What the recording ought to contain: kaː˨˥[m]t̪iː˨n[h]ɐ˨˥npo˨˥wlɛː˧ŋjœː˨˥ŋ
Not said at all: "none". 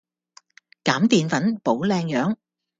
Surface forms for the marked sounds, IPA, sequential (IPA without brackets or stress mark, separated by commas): m, f